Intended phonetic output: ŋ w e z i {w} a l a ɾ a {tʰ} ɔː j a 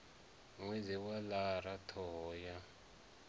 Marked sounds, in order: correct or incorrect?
correct, correct

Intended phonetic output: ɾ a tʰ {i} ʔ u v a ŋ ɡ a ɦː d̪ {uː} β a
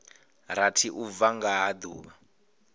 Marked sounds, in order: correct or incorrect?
correct, correct

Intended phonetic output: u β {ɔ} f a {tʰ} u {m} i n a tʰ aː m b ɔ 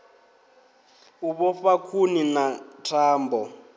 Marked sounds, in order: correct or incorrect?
correct, incorrect: kʰ, incorrect: n

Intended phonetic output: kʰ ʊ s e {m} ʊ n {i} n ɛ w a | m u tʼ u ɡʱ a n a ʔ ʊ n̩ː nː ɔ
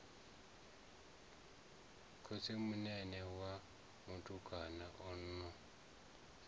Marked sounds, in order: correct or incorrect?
correct, incorrect: ɛ

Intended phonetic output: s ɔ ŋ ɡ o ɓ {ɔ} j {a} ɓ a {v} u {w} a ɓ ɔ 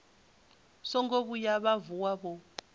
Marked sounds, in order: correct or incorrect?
incorrect: u, correct, correct, correct

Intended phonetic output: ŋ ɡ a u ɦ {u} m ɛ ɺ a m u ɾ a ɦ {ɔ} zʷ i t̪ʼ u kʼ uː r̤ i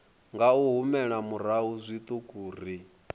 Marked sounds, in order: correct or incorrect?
correct, incorrect: u

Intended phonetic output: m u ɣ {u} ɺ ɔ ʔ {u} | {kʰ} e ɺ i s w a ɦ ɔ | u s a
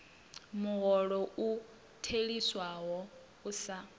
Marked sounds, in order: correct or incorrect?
incorrect: ɔ, correct, incorrect: tʰ

